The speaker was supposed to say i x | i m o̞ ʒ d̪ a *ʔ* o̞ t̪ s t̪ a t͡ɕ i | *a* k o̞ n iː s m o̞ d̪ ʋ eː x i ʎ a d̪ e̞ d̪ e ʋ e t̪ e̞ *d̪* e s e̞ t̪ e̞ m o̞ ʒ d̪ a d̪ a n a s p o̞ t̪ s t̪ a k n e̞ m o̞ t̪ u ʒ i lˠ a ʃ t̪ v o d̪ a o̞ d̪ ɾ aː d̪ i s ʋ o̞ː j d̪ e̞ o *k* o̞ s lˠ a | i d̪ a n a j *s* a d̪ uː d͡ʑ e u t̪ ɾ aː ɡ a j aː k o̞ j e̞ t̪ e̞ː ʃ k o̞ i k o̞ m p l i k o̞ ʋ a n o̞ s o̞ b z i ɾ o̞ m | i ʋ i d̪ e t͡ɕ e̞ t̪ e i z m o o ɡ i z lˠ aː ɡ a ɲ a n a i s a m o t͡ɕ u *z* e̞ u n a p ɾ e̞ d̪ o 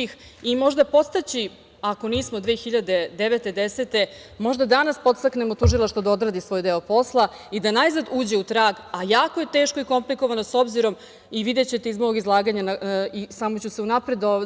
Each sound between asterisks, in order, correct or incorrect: incorrect, correct, correct, incorrect, incorrect, incorrect

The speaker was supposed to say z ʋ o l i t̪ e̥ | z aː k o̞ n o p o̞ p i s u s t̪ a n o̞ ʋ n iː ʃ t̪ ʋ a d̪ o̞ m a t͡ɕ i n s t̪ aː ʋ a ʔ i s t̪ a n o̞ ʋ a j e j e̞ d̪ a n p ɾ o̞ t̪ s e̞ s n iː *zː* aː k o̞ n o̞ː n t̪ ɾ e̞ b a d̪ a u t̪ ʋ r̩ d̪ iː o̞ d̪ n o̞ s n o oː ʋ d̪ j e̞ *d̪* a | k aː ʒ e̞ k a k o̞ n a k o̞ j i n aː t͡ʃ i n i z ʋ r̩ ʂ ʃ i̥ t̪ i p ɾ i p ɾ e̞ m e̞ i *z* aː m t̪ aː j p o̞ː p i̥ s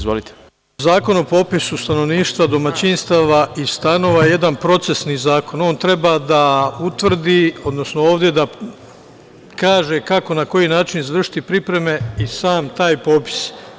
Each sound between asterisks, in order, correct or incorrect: incorrect, correct, incorrect

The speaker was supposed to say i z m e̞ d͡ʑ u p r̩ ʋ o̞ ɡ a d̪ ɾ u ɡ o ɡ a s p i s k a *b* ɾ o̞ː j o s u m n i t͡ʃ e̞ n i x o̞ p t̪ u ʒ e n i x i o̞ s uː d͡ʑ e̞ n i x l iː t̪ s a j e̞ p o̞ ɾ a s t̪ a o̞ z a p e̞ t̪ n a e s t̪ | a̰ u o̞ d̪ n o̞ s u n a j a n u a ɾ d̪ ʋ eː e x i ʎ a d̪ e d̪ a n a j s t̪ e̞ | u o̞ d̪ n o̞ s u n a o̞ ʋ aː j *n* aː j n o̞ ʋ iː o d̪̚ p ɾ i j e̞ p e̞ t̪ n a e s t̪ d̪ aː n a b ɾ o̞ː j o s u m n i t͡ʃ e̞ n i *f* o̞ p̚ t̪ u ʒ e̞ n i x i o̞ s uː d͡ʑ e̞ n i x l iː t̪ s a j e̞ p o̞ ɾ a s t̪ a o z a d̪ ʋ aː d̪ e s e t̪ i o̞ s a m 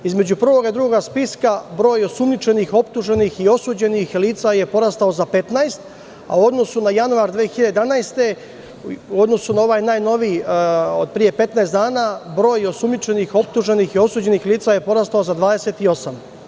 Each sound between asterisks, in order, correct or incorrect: correct, correct, incorrect

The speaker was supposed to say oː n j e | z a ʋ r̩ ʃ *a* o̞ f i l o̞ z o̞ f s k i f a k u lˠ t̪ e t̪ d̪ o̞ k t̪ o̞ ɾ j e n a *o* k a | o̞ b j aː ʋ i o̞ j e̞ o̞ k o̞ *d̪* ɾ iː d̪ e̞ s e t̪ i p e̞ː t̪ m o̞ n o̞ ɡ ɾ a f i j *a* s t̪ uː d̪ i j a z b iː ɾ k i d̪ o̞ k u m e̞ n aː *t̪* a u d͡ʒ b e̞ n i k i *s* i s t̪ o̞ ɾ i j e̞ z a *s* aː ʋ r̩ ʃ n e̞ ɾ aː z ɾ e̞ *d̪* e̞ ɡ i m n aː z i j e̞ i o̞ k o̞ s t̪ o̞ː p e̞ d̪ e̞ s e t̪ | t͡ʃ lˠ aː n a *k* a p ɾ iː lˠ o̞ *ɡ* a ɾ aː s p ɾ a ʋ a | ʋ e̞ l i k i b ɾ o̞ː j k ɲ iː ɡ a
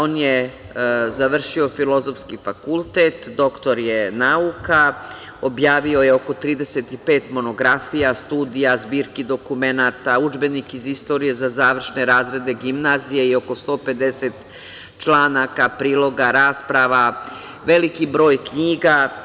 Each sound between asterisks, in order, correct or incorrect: incorrect, incorrect, incorrect, correct, correct, incorrect, incorrect, correct, correct, correct

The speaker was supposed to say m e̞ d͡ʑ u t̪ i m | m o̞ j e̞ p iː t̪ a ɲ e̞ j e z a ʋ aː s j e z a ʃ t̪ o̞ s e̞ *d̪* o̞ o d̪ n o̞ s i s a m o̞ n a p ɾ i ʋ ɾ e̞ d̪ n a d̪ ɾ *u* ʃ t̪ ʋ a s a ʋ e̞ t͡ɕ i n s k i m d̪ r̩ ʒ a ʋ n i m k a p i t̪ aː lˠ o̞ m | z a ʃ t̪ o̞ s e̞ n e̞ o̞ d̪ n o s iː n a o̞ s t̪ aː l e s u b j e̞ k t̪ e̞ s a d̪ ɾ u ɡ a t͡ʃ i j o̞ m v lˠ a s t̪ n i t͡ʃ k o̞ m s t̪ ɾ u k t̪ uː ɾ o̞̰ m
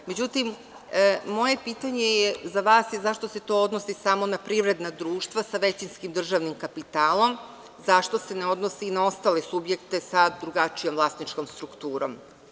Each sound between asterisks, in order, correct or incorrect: incorrect, incorrect

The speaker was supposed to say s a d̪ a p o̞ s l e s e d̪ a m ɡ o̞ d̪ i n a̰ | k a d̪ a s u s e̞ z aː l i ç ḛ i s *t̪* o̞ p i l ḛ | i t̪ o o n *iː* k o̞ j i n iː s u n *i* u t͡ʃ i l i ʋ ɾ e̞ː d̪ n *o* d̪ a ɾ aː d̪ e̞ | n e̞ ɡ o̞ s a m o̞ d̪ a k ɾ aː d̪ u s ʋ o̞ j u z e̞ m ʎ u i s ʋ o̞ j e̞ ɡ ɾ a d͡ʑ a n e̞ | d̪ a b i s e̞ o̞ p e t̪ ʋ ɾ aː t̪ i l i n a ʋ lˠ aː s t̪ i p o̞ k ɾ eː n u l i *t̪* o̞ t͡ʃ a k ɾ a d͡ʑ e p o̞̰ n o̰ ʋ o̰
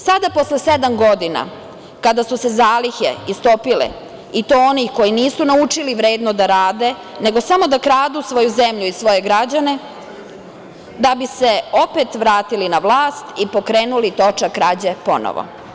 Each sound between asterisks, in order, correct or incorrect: correct, incorrect, incorrect, correct, correct

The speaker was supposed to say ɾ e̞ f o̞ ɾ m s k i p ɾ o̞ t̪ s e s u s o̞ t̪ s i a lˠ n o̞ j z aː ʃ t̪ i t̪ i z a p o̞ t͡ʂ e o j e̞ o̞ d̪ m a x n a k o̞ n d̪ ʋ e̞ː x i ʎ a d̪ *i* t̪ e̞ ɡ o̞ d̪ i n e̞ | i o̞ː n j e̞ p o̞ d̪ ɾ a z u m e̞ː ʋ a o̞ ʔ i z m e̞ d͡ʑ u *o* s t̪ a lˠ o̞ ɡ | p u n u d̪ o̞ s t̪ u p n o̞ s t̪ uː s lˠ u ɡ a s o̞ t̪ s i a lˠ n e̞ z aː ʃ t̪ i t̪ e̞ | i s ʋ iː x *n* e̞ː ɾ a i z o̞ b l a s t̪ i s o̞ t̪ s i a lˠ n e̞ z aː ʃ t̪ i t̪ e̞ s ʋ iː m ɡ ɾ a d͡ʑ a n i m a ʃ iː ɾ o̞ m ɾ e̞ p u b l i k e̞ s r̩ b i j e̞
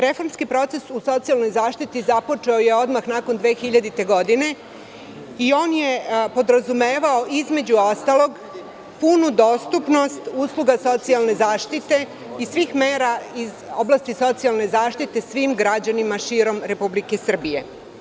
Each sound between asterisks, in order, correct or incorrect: correct, correct, incorrect

